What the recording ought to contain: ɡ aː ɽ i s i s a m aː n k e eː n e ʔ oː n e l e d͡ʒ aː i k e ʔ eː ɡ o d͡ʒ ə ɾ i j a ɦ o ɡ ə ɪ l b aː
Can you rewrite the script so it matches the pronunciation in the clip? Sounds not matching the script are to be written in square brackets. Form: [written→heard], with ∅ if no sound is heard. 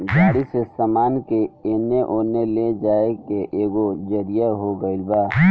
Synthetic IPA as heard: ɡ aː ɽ i s [i→e] s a m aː n k e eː n e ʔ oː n e l e d͡ʒ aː [i→e] k e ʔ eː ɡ o d͡ʒ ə ɾ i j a ɦ o ɡ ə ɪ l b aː